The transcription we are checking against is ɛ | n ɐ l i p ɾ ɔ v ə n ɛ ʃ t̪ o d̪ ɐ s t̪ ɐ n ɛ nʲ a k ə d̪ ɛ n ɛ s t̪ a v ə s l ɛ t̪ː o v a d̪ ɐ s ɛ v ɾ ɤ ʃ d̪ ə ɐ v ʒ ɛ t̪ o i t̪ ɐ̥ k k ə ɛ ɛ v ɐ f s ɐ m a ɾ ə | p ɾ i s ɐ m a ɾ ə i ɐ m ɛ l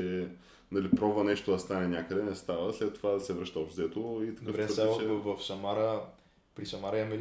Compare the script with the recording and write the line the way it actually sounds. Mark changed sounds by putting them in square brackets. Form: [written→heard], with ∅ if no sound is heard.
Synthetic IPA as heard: ɛ | n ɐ l i p ɾ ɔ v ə n ɛ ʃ t̪ o d̪ ɐ s t̪ [ɐ→a] n ɛ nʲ a k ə d̪ ɛ n ɛ s t̪ a v ə s l ɛ t̪ː o v a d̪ ɐ s ɛ v ɾ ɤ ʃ [d̪→t̪] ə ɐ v [ʒ→z] ɛ t̪ o i t̪ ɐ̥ k k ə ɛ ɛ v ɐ f s ɐ m a ɾ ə | p ɾ i s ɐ m a ɾ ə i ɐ m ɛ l